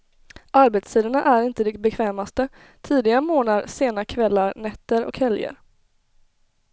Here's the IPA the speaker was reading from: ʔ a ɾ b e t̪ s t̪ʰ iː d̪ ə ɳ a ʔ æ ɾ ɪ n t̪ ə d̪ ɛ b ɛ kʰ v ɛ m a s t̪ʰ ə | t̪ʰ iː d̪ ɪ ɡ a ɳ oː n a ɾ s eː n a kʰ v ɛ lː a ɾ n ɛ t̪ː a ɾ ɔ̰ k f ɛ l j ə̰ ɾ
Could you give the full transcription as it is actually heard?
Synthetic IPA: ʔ a ɾ b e t̪ s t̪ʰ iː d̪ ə ɳ a ʔ æ ɾ ɪ n t̪ ə d̪ ɛ b ɛ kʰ v ɛː m a s t̪ ə | t̪ʰ iː d̪ ɪ ɡ a m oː n a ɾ s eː n a kʰ v ɛ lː a ɾ n ɛ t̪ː ə ɾ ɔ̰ k h ɛ l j ə̰ ɾ